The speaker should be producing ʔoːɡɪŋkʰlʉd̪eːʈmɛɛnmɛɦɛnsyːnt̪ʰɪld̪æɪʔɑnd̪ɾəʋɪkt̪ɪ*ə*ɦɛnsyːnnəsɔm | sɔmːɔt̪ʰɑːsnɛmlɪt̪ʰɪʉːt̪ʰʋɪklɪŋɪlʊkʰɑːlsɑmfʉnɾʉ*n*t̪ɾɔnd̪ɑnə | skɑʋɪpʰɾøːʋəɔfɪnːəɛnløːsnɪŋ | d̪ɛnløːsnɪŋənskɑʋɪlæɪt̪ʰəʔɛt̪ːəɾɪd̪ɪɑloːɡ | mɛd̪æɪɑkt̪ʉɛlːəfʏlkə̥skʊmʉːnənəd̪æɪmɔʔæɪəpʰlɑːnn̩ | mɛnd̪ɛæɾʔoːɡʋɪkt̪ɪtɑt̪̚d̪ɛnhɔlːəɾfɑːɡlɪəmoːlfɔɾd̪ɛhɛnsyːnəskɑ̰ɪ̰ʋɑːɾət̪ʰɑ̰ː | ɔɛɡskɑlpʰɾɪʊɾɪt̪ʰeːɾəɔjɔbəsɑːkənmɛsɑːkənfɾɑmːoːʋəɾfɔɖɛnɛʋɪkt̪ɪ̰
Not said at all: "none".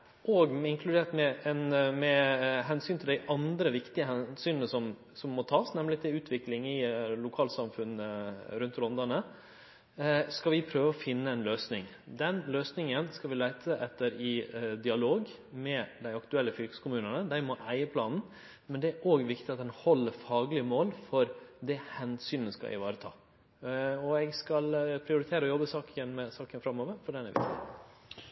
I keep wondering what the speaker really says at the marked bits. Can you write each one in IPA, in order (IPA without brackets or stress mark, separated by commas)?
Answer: ə, n